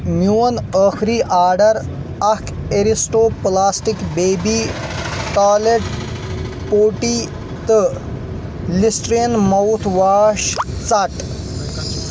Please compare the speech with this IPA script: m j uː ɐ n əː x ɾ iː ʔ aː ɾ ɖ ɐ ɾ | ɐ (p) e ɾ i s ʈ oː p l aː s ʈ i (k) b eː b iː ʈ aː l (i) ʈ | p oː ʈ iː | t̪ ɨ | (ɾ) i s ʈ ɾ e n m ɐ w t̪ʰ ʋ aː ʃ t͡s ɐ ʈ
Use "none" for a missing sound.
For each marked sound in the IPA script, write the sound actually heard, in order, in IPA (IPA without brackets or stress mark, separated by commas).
k, k, e, l